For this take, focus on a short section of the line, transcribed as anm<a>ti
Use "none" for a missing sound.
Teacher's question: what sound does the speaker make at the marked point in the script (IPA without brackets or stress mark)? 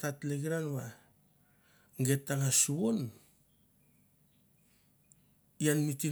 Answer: i